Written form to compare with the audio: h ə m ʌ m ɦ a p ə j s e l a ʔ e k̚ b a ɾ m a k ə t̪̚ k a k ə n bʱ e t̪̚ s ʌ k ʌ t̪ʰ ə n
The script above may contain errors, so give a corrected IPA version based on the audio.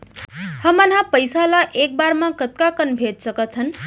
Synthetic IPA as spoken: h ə m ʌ n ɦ a p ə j s a l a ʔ e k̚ b a ɾ m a k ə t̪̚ k a k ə n bʱ e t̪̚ s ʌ k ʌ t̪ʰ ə n